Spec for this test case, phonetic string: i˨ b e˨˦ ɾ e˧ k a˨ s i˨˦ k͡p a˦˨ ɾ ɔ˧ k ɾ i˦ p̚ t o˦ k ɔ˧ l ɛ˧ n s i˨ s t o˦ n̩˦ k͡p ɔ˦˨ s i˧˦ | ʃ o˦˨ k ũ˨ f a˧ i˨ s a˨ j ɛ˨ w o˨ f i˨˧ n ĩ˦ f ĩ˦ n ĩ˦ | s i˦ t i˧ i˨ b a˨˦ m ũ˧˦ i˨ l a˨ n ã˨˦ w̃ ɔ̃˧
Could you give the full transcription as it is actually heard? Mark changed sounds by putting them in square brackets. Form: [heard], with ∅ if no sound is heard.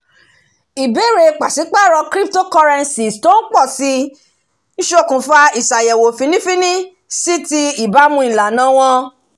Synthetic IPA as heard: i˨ b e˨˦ ɾ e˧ [k͡p] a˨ s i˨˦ k͡p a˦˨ ɾ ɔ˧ k ɾ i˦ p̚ t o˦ k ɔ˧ [ɾ] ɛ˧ n s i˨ s t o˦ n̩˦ k͡p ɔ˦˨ s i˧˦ | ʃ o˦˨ k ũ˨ f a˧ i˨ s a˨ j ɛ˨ w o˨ f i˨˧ n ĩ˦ f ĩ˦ n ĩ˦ | s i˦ t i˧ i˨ b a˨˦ m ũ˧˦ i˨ l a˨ n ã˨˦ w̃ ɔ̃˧